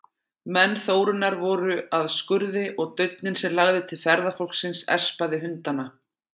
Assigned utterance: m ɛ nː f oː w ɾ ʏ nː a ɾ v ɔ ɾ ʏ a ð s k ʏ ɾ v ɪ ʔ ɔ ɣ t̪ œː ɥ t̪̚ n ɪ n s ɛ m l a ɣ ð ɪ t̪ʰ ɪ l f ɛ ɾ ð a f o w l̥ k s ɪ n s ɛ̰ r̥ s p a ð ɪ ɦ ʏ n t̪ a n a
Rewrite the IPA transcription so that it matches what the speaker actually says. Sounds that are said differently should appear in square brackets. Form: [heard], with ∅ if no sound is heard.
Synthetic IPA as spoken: m ɛ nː [θ] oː w ɾ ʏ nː a ɾ v ɔ ɾ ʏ a ð s k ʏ ɾ [ð] ɪ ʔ ɔ ɣ t̪ [œ] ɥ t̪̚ n ɪ n s ɛ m l a ɣ ð ɪ t̪ʰ ɪ l f ɛ ɾ ð a f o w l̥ k s ɪ n s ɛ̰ r̥ s p a ð ɪ ɦ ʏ n t̪ a n a